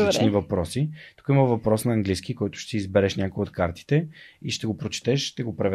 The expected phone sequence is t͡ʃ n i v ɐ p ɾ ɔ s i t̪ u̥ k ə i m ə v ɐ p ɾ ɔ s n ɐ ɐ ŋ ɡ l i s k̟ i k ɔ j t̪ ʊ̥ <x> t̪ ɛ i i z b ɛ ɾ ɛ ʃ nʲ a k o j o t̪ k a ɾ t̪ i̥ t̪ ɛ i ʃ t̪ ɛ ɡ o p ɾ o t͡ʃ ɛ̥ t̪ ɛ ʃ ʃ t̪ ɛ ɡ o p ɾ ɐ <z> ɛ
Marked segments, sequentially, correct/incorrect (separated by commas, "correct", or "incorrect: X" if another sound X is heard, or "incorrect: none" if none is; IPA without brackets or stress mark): incorrect: ʃ, incorrect: v